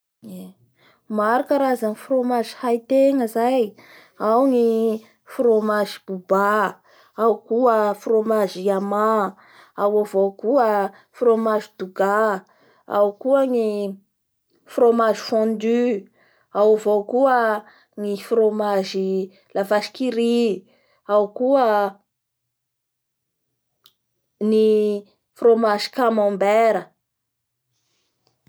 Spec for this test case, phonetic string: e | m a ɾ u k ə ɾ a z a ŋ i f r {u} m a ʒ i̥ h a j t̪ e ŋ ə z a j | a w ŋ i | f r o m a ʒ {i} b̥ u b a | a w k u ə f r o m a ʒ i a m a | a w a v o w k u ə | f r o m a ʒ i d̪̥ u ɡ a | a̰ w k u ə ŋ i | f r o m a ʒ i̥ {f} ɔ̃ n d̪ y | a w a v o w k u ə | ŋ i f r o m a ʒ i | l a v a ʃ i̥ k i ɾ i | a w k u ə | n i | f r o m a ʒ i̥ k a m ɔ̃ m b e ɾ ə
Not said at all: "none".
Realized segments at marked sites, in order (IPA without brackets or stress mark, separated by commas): o, i, f